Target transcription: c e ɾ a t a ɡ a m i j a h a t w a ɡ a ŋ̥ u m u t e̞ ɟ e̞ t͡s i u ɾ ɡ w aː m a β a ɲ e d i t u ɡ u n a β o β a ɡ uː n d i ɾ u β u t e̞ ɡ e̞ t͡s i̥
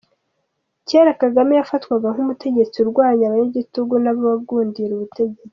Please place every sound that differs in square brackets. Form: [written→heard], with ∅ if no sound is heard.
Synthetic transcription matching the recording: c e ɾ a [t→k] a ɡ a m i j a [h→f] a t w a ɡ a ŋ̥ u m u t e̞ ɟ e̞ t͡s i u ɾ ɡ w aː [m→ɲ] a β a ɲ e [d→ɟ] i t u ɡ u n a β o β a ɡ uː n d i ɾ u β u t e̞ [ɡ→ɟ] e̞ t͡s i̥